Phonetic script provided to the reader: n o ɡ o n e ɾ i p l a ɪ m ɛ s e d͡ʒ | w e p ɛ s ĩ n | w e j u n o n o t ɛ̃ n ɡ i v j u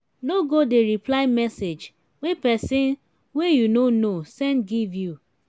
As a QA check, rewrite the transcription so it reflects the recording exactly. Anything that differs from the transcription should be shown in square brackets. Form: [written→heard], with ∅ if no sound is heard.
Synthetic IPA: n o ɡ o [n→d] e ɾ i p l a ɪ m ɛ s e d͡ʒ | w e p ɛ s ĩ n | w e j u n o n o [t→s] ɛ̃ n ɡ i v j u

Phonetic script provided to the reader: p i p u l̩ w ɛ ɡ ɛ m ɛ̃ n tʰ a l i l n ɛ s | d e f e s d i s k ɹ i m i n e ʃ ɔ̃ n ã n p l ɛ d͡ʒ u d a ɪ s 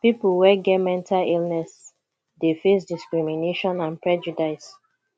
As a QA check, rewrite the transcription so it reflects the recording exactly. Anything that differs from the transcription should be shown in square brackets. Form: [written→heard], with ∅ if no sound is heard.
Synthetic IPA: p i p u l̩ w ɛ ɡ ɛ m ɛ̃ n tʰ a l i l n ɛ s | d e f e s d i s k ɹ i m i n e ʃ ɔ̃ n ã n p [l→ɹ] ɛ d͡ʒ u d a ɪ s

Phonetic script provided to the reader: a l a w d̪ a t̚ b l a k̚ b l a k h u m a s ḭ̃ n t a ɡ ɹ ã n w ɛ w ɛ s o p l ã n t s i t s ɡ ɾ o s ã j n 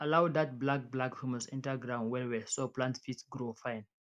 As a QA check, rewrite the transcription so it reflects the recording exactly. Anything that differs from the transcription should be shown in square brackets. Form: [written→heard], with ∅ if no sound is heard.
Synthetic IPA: a l a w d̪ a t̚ b l a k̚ b l a k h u m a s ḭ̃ n t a ɡ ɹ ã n w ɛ w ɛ s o p l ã n t [s→f] i t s ɡ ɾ o [s→f] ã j n

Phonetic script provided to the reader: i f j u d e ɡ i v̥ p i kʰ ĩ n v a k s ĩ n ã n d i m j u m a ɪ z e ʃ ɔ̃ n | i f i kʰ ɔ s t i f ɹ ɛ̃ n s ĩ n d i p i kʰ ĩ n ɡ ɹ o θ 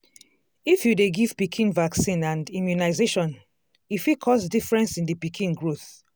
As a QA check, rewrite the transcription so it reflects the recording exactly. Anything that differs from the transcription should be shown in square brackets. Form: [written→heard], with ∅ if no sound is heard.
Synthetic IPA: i f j u d e ɡ i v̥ p i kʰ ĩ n v a k s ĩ n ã n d i m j u [m→n] a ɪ z e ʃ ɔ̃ n | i f i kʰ ɔ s [t→d] i f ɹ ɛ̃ n s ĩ n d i p i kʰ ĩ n ɡ ɹ o θ

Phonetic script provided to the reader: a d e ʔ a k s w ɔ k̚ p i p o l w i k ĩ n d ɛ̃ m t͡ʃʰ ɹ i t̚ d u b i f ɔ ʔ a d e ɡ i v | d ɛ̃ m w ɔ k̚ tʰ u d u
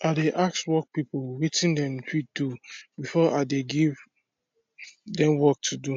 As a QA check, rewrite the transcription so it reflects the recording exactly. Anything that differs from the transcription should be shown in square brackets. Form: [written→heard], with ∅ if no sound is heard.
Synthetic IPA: a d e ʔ a k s w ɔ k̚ p i p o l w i [k→t] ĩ n d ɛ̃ m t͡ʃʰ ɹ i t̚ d u b i f ɔ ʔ a d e ɡ i v | d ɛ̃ m w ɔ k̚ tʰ u d u

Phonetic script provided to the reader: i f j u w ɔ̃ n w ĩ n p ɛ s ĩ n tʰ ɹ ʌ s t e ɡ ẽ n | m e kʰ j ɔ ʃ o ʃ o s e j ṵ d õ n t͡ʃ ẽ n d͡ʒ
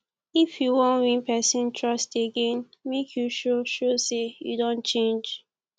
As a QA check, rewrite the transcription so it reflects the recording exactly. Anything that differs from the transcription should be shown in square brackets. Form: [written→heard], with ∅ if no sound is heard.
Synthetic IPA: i f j u w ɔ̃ n w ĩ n p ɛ s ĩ n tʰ ɹ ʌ s t e ɡ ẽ n | m e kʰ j [ɔ→u] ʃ o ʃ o s e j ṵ d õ n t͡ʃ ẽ n d͡ʒ

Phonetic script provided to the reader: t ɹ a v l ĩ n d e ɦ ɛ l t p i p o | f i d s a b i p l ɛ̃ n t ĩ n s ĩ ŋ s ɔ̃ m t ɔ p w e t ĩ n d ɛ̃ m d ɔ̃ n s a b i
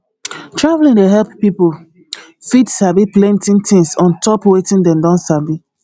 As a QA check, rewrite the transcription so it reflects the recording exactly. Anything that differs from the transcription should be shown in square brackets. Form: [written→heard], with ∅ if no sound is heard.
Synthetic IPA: t ɹ a v l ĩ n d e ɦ ɛ l [t→p] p i p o | f i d s a b i p l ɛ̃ n t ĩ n [s→t] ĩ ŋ s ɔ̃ [m→n] t ɔ p w e t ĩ n d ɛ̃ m d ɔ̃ n s a b i

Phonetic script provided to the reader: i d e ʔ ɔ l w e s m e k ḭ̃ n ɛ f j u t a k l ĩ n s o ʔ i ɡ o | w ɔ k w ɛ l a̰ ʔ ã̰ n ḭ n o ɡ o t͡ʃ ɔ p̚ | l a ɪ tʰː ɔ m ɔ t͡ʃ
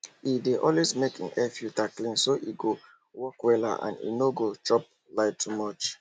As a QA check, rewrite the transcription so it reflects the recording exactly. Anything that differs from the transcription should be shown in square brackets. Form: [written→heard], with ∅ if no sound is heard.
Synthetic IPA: i d e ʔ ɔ l w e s m e k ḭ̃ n ɛ f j u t a k l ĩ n s o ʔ i ɡ o | w ɔ k w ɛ l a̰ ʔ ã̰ n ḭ n o ɡ o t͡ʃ ɔ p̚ | l a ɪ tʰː [ɔ→u] m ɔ t͡ʃ

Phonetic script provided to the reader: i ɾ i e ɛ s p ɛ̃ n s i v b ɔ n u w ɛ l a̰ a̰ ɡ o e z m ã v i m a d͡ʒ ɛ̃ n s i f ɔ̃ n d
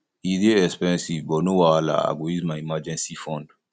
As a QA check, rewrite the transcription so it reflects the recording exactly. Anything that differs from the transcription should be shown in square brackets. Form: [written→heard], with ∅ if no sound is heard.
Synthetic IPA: i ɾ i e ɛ s p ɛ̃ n s i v b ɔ n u w [ɛ→a] l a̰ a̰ ɡ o [e→i] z m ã [v→∅] i m a d͡ʒ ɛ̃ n s i f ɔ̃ n d

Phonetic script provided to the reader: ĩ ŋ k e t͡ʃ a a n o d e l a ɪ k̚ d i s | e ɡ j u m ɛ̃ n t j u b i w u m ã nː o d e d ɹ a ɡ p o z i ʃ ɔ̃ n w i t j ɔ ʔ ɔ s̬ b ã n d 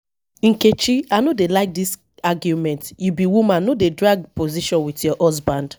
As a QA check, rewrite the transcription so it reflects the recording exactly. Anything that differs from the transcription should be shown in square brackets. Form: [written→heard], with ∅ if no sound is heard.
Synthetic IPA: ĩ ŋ k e t͡ʃ [a→i] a n o d e l a ɪ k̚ d i s | [e→a] ɡ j u m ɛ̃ n t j u b i w u m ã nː o d e d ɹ a ɡ p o z i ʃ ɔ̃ n w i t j ɔ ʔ ɔ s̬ b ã n d

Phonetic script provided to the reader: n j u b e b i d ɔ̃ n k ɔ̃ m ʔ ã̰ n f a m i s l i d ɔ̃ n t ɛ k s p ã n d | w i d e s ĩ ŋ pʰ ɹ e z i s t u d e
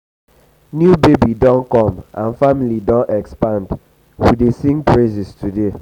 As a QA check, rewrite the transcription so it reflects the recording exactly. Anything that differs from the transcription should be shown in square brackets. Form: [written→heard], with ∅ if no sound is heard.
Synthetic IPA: n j u b e b i d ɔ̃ n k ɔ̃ m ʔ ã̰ n f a m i [s→∅] l i d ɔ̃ n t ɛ k s p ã n d | w i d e s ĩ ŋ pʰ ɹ e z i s t u d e

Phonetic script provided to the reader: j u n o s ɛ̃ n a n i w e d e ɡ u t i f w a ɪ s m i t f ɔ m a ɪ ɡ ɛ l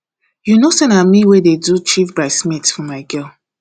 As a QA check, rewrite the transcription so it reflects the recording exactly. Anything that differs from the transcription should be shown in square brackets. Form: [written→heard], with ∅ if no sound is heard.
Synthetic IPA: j u n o s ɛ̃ n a [n→m] i w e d e [ɡ→d] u [t→t͡ʃ] i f [w→b] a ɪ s m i t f ɔ m a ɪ ɡ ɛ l

